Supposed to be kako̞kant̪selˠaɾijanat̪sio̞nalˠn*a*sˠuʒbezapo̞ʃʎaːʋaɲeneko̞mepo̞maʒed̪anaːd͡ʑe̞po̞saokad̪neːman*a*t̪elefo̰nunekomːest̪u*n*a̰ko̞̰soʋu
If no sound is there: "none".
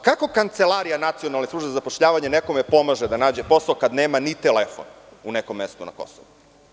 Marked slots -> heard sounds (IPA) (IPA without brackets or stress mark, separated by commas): e, i, n